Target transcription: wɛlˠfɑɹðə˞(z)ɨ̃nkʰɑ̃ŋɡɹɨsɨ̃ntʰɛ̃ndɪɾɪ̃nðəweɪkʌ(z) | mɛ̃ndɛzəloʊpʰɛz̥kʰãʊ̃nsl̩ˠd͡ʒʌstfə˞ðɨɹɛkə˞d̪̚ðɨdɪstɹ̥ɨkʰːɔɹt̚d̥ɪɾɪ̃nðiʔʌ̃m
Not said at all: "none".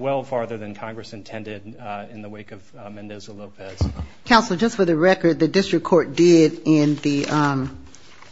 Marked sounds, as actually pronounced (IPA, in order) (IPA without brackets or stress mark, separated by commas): ð, v